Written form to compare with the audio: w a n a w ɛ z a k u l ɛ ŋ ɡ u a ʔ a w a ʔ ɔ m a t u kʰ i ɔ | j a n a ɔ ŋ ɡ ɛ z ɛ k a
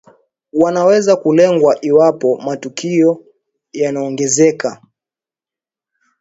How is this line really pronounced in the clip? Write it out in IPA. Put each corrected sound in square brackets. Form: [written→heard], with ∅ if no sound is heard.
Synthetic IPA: w a n a w ɛ z a k u l ɛ ŋ ɡ [u→w] a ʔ [a→i] w a [ʔ→p] ɔ m a t u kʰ i ɔ | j a n a ɔ ŋ ɡ ɛ z ɛ k a